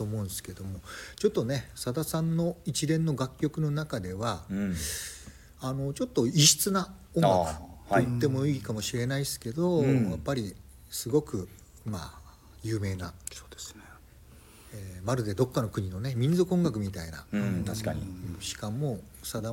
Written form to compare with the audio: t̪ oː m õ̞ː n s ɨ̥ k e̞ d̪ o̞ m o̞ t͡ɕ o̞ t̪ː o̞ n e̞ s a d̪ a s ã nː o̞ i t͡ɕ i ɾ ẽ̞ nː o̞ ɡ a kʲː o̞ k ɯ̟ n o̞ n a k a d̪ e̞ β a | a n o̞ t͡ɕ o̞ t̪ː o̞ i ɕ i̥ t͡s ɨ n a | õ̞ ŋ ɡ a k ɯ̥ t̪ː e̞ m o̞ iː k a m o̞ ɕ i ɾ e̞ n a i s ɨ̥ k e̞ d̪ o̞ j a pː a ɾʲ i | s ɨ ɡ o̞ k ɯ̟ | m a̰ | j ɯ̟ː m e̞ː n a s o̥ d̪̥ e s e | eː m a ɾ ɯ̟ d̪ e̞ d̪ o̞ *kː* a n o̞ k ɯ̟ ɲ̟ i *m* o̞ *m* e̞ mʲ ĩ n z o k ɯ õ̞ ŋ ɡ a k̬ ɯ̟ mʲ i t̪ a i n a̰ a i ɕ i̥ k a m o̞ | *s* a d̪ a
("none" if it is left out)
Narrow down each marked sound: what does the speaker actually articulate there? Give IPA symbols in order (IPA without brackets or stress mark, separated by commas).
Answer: kː, n, n, s